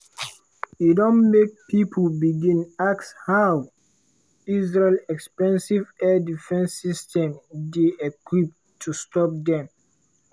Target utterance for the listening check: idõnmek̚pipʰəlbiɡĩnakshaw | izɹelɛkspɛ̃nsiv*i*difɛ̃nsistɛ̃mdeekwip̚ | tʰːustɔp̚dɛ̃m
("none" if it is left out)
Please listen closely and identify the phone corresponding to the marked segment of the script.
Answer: ɛ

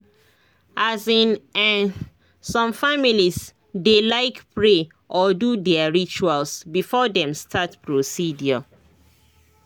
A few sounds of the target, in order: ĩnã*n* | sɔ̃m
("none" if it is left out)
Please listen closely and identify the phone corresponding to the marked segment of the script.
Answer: n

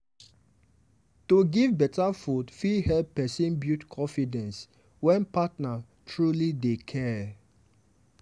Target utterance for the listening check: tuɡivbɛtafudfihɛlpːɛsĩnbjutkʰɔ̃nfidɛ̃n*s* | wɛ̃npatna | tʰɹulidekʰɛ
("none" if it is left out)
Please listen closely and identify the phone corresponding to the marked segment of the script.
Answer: s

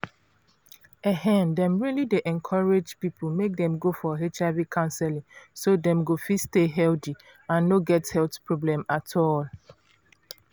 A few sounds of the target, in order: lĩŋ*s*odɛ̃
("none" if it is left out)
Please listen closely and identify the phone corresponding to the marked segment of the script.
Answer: s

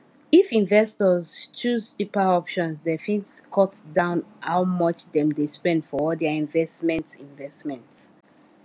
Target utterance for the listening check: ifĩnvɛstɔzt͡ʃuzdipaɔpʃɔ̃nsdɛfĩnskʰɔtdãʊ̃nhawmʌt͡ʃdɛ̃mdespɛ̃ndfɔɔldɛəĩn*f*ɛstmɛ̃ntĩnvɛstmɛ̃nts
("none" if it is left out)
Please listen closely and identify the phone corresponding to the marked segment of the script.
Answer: v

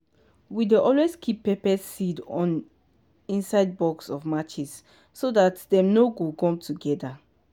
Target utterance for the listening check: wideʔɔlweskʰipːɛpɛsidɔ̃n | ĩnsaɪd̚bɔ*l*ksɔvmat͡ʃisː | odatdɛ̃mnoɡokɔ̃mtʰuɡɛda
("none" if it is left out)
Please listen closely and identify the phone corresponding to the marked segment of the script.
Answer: none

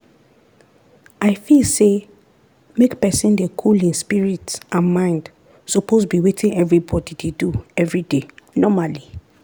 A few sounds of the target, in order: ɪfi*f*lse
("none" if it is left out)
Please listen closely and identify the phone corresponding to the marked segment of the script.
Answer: none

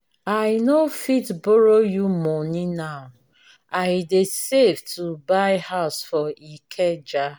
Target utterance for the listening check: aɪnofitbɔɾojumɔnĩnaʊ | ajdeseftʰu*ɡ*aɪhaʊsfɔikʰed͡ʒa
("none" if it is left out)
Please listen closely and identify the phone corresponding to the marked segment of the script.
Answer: b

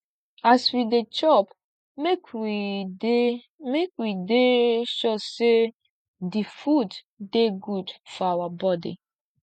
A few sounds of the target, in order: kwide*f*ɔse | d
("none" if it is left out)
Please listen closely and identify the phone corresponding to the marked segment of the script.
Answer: ʃ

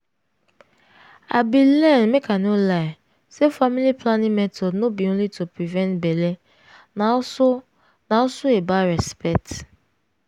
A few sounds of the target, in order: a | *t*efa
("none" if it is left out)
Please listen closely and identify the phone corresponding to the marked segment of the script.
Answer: s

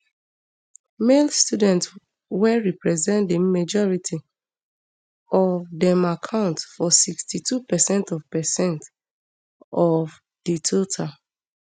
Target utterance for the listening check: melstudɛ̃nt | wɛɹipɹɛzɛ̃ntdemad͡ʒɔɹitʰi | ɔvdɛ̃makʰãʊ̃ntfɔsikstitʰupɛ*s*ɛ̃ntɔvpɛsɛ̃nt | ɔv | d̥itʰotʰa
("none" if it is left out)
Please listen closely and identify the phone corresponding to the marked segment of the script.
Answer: s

